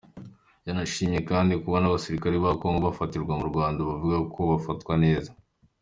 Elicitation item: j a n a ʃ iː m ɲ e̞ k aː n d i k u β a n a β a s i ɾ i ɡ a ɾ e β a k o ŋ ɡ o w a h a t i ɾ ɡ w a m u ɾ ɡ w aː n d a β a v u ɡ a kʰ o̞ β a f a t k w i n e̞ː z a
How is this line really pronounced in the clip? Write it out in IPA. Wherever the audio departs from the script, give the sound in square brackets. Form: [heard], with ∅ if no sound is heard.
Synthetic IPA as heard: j a n a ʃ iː m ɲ e̞ k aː n d i k u β a n a β a s i ɾ i [k] a ɾ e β a k o ŋ ɡ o [β] a [f] a t i ɾ ɡ w a m u ɾ ɡ w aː n d a β a v u ɡ a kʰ o̞ β a f a t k w [a] n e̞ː z a